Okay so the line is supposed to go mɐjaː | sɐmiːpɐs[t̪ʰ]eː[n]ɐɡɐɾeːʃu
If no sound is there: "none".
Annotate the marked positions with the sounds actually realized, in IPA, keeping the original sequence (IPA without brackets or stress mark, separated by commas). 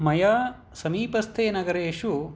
t̪ʰ, n